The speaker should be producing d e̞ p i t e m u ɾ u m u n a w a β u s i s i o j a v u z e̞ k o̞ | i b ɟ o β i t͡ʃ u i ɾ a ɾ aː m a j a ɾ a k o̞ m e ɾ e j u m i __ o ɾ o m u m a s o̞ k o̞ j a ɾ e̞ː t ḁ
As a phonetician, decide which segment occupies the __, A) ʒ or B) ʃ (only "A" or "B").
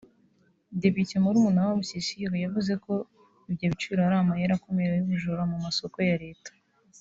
A